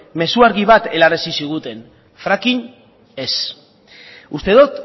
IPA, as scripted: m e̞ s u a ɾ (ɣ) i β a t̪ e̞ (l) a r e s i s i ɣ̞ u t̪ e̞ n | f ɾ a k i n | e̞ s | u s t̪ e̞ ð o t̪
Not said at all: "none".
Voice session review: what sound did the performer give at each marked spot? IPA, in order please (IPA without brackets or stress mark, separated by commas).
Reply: ɣ, l